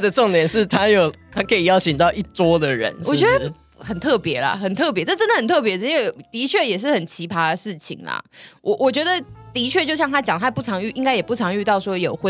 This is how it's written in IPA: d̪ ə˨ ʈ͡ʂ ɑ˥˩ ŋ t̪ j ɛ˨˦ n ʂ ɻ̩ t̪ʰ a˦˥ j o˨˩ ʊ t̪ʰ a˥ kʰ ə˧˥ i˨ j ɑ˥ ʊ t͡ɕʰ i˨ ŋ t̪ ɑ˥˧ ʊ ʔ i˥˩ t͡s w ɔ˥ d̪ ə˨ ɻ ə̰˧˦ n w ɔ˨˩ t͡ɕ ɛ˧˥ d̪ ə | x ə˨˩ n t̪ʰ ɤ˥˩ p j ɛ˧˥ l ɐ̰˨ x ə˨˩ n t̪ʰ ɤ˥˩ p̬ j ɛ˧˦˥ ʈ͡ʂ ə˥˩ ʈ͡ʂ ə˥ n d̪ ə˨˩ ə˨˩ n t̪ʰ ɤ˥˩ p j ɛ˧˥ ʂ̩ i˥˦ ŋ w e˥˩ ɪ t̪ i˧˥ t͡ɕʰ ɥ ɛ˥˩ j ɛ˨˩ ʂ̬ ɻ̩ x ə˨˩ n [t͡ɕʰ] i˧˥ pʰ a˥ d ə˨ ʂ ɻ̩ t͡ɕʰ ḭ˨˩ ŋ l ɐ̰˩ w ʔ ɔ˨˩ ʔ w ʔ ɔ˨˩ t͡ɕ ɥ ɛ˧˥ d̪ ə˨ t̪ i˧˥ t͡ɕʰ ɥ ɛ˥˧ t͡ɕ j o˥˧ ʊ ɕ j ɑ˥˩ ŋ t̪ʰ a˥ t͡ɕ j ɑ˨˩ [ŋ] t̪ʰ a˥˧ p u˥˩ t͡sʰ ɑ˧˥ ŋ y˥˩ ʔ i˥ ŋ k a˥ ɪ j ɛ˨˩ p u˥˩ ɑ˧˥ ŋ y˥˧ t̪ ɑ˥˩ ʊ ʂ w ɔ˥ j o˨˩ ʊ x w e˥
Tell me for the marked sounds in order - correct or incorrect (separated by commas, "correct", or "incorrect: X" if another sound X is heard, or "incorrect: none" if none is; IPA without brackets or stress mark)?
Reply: correct, correct